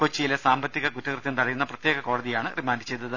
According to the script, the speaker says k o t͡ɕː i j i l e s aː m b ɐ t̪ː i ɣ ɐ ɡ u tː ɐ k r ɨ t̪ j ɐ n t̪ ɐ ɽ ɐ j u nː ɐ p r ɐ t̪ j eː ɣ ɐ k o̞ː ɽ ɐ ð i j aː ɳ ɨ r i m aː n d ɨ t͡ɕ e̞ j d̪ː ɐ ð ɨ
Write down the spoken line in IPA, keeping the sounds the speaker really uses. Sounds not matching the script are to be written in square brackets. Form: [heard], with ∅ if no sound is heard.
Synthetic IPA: k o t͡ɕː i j i l e s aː m b ɐ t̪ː i ɣ ɐ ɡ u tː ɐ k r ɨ t̪ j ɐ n t̪ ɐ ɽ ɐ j u nː ɐ p r ɐ t̪ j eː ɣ ɐ k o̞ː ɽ ɐ ð i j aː ɳ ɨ r i m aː n d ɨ t͡ɕ e̞ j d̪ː ɐ ð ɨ